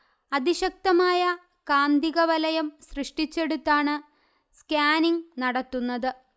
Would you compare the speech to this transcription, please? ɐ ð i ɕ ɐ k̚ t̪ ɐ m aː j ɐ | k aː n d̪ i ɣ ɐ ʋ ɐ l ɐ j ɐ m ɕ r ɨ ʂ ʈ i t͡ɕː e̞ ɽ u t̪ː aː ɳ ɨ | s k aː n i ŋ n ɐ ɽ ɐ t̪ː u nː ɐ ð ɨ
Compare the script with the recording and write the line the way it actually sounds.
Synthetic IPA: ɐ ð i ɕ ɐ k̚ t̪ ɐ m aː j ɐ | k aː n d̪ i ɣ ɐ ʋ ɐ l ɐ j ɐ m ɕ r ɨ ʂ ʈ i t͡ɕː e̞ ɽ u t̪ː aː ɳ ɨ | s k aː n i ŋ n ɐ ɽ ɐ t̪ː u nː ɐ ð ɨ